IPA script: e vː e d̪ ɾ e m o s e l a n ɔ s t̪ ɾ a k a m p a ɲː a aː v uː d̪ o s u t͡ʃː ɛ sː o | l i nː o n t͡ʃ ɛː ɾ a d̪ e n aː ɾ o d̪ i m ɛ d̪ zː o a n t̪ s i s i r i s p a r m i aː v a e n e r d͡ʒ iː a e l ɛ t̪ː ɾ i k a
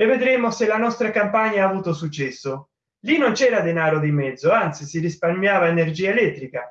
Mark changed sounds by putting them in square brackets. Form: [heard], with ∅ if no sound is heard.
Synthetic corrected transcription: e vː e d̪ ɾ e m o s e l a n ɔ s t̪ ɾ a k a m p a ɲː a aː v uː [t̪] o s u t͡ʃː ɛ sː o | l i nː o n t͡ʃ ɛː ɾ a d̪ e n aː ɾ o d̪ i m ɛ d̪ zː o a n t̪ s i s i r i s p a r m [j] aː v a e n e r d͡ʒ iː a e l ɛ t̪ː ɾ i k a